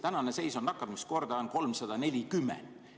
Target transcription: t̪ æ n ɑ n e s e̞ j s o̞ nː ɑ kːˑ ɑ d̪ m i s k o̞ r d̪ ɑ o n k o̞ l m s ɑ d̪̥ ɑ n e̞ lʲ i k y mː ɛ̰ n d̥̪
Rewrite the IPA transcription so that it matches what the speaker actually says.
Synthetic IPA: t̪ æ n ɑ n e s e̞ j s o̞ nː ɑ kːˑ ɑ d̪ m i s k o̞ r d̪ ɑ o n k o̞ l m s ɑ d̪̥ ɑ n e̞ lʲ i k y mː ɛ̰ n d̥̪